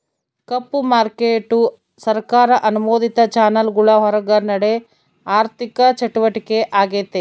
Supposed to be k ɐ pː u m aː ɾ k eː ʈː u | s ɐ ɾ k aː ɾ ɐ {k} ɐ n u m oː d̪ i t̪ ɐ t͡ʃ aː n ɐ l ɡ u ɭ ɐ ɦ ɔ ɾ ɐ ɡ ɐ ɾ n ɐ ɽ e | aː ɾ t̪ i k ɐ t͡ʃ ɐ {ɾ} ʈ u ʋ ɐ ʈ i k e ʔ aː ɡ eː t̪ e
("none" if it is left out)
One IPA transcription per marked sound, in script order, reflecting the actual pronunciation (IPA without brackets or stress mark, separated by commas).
ʔ, none